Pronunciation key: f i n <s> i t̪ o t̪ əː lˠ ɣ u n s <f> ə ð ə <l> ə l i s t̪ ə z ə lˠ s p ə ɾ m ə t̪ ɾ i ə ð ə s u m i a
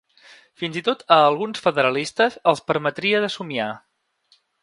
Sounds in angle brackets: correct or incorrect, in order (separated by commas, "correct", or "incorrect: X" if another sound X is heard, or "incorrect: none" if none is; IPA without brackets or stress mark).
incorrect: z, correct, incorrect: ɾ